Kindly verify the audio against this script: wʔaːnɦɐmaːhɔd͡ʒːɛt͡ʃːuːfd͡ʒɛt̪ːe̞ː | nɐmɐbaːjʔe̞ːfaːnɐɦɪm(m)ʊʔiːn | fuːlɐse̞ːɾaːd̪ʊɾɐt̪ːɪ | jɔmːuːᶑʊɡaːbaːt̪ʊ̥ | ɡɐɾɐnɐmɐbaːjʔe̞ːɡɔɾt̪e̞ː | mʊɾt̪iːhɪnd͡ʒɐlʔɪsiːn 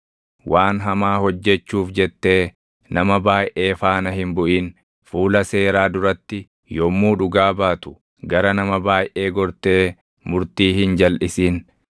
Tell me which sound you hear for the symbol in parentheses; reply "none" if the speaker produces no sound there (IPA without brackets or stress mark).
b